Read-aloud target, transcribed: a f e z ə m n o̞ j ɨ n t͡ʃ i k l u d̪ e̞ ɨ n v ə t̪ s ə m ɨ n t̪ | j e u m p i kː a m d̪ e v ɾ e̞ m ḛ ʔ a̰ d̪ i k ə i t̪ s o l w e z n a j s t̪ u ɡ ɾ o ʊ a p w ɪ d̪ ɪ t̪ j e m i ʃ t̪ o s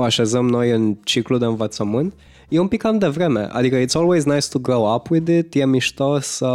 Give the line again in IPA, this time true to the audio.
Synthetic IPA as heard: a ʃ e z ə m n o̞ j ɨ n t͡ʃ i k l u d̪ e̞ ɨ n v ə t̪ s ə m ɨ n t̪ | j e u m p i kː a m d̪ e v ɾ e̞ m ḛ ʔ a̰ d̪ i k ə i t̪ s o l w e z n a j s t̪ u ɡ ɾ o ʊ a p w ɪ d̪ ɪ t̪ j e m i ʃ t̪ o s